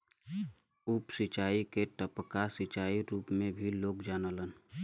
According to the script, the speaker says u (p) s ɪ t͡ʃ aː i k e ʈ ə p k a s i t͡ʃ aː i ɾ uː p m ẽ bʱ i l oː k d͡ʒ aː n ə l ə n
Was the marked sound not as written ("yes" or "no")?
no